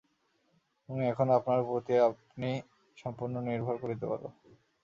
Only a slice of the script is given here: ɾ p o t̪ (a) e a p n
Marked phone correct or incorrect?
incorrect